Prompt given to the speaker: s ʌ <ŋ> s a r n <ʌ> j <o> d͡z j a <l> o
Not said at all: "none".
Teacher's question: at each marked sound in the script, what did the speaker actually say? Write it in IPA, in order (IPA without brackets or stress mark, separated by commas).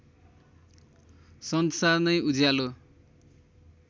n, ʌ, u, l